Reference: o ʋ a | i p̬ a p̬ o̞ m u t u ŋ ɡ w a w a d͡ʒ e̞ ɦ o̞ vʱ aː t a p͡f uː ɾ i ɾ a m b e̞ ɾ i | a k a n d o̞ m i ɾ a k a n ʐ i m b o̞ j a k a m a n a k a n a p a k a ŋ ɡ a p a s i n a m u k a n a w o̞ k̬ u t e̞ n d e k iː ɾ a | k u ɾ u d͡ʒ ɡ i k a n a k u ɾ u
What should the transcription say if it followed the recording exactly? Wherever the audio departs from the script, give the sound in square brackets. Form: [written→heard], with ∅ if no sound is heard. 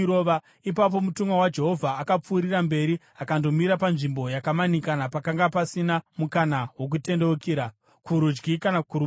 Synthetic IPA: o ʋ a | i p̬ a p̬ o̞ m u t u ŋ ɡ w a w a d͡ʒ e̞ ɦ o̞ vʱ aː [t→k] a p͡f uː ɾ i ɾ a m b e̞ ɾ i | a k a n d o̞ m i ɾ a [k→p] a n ʐ i m b o̞ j a k a m a n [a→i] k a n a p a k a ŋ ɡ a p a s i n a m u k a n a w o̞ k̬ u t e̞ n d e k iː ɾ a | k u ɾ u d͡ʒ ɡ i k a n a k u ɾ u